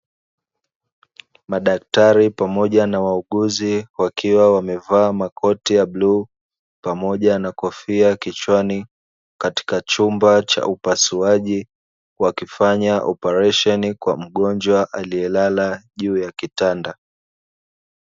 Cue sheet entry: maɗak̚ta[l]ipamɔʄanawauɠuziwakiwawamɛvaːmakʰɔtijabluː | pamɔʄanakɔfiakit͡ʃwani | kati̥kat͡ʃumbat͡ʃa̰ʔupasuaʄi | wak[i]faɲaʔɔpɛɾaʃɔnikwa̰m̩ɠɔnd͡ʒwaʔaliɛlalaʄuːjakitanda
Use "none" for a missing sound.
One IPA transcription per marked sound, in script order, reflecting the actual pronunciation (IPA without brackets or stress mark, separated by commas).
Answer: ɾ, i